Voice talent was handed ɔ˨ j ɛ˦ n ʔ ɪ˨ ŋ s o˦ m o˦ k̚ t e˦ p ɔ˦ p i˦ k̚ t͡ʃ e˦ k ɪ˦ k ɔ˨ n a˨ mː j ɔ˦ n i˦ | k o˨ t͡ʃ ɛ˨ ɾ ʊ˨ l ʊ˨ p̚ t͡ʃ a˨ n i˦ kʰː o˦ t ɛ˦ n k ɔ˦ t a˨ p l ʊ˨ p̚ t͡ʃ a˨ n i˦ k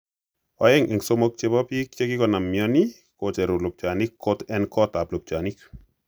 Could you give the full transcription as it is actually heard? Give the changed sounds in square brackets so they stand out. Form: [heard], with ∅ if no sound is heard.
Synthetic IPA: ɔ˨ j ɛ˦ [ŋ] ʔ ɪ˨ ŋ s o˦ m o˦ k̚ [t͡ʃ] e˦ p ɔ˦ p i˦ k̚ t͡ʃ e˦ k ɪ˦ k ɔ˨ n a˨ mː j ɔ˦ n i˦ | k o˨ t͡ʃ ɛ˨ ɾ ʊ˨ l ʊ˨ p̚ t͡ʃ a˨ n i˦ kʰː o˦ t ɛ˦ n k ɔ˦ t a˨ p l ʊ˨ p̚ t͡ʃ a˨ n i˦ k